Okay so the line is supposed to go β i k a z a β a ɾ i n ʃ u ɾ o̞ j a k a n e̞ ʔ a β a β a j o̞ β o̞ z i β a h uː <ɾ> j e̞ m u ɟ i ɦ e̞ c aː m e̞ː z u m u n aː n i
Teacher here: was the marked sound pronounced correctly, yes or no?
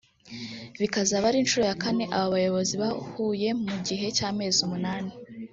no